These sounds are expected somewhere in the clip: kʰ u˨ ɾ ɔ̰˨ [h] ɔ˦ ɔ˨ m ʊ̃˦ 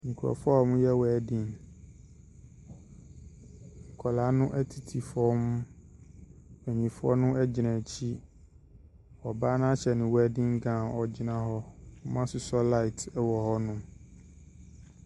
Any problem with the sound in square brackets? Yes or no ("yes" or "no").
yes